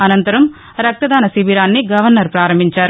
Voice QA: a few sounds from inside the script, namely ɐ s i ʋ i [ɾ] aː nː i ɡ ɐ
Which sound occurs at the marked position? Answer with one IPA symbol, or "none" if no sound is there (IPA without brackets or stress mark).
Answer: ɾ